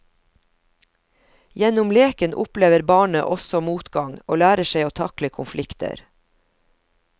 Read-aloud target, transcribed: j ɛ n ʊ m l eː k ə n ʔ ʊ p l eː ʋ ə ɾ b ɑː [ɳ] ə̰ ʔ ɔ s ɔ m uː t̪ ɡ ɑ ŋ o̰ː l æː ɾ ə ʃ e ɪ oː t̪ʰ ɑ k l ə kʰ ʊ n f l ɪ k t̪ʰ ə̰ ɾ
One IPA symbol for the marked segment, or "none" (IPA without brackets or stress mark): ɳ